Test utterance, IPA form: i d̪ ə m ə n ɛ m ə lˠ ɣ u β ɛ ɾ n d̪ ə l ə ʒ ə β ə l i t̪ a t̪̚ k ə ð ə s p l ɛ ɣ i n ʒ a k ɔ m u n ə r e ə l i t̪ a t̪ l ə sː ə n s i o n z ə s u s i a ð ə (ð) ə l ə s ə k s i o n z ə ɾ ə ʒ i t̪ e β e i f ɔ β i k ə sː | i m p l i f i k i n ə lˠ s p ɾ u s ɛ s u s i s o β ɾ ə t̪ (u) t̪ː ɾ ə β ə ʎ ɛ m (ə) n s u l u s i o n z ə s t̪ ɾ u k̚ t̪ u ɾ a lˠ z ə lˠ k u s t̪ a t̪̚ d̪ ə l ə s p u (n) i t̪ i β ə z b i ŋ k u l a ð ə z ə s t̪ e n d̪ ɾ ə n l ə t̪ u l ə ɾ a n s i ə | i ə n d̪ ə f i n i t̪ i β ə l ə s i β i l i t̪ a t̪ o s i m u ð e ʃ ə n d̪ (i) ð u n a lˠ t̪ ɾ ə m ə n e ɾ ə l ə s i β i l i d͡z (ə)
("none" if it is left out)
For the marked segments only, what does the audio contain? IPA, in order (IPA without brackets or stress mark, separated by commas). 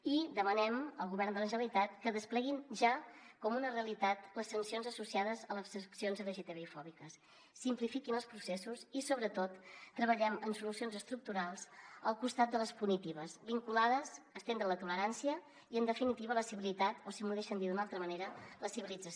z, o, ə, n, i, ə